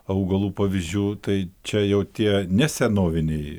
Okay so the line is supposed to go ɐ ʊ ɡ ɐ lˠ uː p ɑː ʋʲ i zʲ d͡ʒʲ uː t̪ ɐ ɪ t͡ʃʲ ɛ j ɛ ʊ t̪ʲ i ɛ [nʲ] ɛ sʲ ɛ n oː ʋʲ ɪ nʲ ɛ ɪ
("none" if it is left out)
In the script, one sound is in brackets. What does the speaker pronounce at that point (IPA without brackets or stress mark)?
nʲ